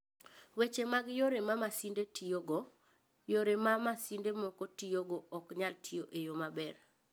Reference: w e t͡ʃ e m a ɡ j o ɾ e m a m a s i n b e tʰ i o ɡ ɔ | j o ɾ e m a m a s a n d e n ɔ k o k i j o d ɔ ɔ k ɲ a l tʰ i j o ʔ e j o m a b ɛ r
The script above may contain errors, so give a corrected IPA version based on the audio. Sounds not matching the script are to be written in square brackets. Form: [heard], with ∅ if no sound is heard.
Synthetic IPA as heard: w e t͡ʃ e m a ɡ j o ɾ e m a m a s i n [d] e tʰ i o ɡ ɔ | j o ɾ e m a m a s [i] n d e [m] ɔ k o [t] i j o [ɡ] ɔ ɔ k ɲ a l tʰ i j o ʔ e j o m a b ɛ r